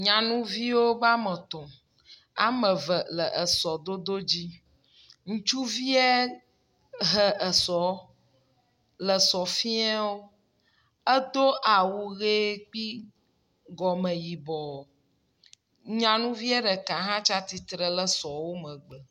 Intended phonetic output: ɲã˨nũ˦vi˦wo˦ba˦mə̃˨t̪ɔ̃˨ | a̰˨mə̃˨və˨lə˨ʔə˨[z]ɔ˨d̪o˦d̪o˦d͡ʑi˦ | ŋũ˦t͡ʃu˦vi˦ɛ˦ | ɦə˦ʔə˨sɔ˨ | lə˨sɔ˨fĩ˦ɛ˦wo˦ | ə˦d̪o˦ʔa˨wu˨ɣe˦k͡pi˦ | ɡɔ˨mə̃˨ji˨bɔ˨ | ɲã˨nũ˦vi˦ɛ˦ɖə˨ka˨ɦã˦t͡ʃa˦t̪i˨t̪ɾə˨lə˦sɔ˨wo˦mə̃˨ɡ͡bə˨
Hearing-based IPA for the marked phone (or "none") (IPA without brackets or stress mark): s